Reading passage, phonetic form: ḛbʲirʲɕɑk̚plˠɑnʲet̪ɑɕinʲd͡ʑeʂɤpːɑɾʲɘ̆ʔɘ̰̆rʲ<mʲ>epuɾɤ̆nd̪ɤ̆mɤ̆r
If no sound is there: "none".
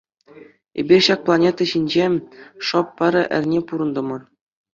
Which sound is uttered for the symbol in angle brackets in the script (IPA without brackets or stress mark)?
nʲ